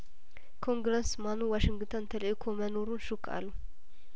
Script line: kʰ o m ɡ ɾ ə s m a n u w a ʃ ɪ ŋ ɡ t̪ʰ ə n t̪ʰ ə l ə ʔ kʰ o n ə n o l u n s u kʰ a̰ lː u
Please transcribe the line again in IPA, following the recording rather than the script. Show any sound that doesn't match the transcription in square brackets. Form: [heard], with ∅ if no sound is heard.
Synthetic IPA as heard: kʰ o [ŋ] ɡ ɾ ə s m a n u w a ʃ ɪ ŋ ɡ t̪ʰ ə n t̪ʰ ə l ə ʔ kʰ o [m] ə n o [ɾ] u n [ʃ] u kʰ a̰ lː u